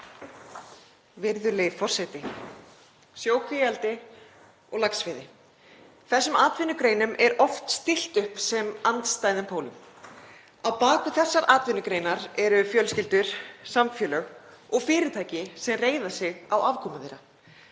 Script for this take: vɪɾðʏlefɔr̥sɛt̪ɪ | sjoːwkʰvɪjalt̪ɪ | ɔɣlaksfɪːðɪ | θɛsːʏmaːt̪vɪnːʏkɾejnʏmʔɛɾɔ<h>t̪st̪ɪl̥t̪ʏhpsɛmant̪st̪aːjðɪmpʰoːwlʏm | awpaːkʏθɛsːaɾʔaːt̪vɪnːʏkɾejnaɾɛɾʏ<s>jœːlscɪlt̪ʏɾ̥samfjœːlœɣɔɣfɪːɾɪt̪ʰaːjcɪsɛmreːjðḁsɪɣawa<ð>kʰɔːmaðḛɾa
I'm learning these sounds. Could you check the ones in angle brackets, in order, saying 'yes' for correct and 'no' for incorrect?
no, no, no

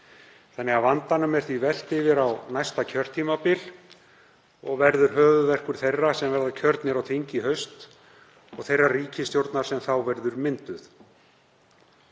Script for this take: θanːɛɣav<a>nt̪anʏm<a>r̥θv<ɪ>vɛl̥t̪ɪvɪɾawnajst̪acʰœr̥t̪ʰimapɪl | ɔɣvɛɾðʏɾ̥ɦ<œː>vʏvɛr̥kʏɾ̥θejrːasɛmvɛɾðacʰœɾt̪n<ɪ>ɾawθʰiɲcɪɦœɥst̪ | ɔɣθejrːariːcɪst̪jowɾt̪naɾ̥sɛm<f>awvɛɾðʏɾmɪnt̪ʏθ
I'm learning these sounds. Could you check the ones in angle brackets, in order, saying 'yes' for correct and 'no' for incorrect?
yes, no, no, yes, yes, no

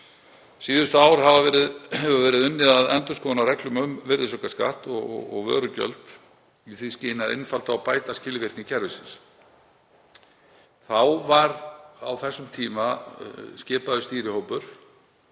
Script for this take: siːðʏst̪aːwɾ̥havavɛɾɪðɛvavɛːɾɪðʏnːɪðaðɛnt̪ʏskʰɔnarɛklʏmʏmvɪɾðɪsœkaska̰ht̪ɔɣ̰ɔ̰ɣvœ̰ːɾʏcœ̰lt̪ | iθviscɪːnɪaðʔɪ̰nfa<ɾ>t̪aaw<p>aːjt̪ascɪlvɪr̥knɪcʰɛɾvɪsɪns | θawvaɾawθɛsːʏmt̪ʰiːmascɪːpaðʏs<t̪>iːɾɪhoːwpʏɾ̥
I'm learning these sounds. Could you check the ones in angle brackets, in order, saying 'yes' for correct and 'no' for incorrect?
no, yes, yes

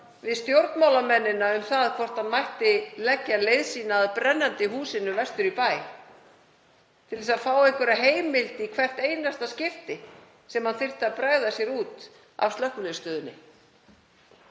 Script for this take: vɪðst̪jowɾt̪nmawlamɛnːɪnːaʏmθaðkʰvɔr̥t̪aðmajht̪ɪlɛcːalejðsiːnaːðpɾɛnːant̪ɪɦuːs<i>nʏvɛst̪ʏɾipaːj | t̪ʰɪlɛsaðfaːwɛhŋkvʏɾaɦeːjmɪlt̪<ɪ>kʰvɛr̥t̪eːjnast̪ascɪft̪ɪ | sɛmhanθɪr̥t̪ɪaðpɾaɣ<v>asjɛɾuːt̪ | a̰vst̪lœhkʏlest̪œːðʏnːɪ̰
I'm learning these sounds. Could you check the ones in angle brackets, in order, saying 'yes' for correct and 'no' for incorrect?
no, no, no

